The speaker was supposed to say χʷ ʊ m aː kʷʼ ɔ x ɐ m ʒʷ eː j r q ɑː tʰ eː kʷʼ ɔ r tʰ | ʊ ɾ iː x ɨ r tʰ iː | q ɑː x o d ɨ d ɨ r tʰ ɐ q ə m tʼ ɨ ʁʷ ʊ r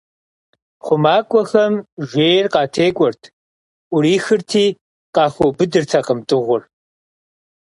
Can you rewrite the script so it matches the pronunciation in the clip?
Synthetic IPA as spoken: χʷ ʊ m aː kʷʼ ɔ x ɐ m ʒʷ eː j r q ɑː tʰ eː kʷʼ ɔ r tʰ | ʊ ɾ iː x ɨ r tʰ iː | q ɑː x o b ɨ d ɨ r tʰ ɐ q ə m tʼ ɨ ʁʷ ʊ r